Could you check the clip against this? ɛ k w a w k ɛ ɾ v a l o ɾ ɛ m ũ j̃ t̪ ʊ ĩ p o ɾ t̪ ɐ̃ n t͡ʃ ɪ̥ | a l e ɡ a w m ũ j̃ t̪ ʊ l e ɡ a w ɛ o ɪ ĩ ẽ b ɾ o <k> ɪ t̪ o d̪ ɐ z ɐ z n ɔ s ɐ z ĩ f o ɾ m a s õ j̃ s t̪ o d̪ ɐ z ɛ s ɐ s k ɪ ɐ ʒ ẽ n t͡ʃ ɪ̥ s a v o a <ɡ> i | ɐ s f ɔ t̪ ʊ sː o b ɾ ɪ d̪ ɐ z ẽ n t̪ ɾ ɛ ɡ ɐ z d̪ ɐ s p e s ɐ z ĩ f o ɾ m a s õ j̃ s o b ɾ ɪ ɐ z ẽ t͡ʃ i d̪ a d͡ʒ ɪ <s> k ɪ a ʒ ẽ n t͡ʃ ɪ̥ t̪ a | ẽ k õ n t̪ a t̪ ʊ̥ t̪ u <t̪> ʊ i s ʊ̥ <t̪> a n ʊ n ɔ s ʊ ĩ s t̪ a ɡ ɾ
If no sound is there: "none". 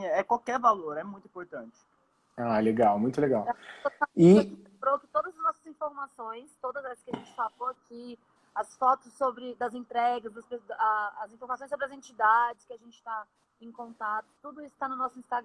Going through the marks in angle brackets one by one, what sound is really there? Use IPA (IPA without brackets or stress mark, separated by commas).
k, k, s, d̪, t̪